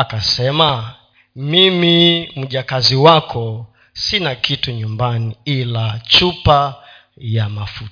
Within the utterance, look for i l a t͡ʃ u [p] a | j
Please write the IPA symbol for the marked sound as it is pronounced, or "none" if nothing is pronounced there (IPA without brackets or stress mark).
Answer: p